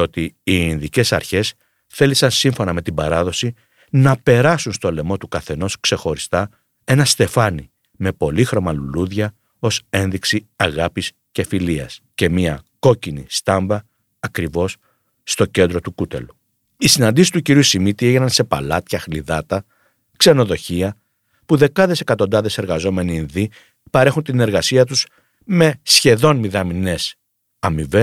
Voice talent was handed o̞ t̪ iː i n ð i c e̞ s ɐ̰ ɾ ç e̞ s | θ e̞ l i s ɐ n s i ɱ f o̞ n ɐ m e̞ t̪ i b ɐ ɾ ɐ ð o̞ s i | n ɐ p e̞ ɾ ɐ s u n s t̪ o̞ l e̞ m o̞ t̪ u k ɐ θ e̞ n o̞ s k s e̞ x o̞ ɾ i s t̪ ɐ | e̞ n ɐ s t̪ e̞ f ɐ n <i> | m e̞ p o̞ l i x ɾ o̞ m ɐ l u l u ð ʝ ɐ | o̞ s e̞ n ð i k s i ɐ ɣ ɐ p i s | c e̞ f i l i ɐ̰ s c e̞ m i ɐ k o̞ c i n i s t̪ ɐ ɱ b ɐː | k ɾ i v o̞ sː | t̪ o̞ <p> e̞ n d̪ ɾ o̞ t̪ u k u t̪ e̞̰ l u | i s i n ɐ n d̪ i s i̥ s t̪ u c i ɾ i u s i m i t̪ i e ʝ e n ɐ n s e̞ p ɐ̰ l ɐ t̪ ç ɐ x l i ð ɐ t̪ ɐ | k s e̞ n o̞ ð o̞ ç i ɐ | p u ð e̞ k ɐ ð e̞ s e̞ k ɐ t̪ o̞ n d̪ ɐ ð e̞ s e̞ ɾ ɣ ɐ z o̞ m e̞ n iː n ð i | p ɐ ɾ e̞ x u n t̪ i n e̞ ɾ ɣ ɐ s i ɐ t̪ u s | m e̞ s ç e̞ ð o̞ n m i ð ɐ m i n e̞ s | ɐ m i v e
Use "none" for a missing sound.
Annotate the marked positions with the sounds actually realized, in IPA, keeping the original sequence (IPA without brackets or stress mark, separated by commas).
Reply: i, c